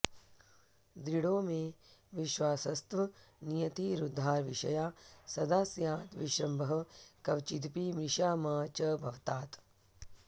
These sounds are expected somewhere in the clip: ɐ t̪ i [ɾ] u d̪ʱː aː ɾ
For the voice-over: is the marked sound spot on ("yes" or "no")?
yes